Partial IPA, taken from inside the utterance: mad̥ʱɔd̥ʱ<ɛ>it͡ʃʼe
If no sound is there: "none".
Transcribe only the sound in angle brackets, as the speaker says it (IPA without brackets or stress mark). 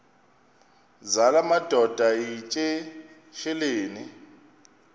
a